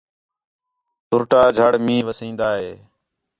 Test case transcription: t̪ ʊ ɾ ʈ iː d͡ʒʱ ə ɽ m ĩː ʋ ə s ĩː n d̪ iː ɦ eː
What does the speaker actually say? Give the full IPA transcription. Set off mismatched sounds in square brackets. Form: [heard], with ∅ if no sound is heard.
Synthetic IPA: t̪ ʊ ɾ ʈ [aː] d͡ʒʱ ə ɽ m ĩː ʋ ə s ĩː n d̪ [aː] ɦ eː